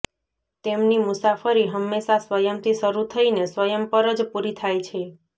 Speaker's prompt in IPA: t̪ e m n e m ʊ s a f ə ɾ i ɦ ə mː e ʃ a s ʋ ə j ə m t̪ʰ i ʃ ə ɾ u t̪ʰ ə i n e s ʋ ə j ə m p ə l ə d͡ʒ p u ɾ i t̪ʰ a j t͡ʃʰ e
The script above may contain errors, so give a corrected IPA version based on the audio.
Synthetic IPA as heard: t̪ e m n i m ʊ s a f ə ɾ i ɦ ə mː e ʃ a s ʋ ə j ə m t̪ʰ i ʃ ə ɾ u t̪ʰ ə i n e s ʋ ə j ə m p ə ɾ ə d͡ʒ p u ɾ i t̪ʰ a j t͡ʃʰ e